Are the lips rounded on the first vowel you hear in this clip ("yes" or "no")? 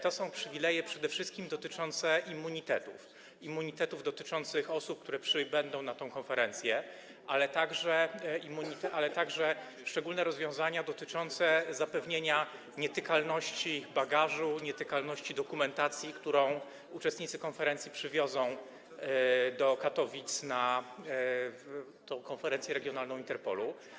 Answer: yes